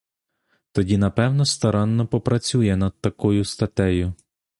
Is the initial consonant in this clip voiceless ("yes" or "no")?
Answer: yes